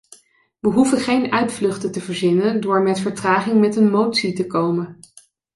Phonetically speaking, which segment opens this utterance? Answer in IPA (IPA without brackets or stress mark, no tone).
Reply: ʋ